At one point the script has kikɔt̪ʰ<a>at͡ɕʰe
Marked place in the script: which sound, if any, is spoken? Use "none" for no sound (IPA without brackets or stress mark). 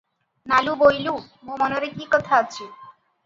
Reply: a